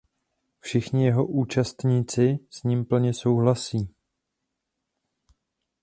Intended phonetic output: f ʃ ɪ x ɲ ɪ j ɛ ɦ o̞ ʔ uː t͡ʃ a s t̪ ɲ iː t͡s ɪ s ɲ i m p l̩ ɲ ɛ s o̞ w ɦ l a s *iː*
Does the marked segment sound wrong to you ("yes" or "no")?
no